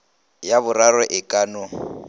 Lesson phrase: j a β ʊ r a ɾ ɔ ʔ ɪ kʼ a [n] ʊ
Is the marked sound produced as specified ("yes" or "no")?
yes